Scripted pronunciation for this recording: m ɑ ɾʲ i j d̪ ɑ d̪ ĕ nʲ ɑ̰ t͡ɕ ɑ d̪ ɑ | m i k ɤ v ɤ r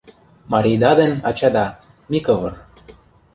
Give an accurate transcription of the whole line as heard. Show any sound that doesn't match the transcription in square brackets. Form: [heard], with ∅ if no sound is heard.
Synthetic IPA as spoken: m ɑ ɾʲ i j d̪ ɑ d̪ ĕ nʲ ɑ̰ t͡ɕ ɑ d̪ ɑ | m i k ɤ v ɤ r